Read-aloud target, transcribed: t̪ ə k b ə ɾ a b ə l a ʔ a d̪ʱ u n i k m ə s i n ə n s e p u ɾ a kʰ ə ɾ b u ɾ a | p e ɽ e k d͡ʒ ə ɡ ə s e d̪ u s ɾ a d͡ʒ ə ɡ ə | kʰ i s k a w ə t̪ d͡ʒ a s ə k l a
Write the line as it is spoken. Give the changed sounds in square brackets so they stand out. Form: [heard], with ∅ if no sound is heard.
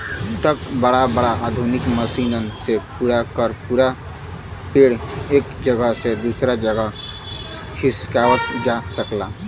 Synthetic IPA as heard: t̪ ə k b ə [ɽ] a b ə [ɽ] a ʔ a d̪ʱ u n i k m ə s i n ə n s e p u ɾ a [k] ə ɾ [p] u ɾ a | p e ɽ e k d͡ʒ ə ɡ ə s e d̪ u s ɾ a d͡ʒ ə ɡ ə | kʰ i s k a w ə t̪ d͡ʒ a s ə k l a